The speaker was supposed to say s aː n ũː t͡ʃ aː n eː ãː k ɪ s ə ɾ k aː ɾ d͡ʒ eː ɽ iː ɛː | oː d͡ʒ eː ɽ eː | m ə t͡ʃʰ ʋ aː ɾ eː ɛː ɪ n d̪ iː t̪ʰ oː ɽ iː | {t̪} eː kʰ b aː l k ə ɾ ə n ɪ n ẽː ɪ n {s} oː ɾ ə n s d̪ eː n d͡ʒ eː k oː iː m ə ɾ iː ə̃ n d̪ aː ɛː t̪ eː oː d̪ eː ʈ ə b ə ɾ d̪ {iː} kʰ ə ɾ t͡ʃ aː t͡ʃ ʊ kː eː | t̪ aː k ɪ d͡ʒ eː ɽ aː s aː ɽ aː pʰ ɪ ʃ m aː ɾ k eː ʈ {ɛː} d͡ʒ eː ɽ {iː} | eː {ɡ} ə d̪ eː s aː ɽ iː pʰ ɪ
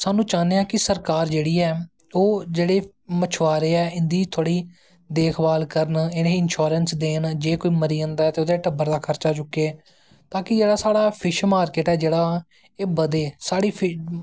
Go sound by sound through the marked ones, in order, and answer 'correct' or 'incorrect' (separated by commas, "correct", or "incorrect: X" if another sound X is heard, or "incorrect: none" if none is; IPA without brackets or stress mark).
incorrect: d̪, incorrect: ʃ, incorrect: aː, correct, incorrect: aː, incorrect: b